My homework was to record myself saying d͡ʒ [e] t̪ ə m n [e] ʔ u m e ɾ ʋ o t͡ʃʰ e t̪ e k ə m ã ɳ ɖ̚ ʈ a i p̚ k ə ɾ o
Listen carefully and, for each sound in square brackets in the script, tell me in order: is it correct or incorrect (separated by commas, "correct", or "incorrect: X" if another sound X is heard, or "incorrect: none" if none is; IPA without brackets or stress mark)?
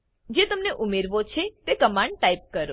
correct, correct